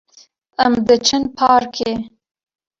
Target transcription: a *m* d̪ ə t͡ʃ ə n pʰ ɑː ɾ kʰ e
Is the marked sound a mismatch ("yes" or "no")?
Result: no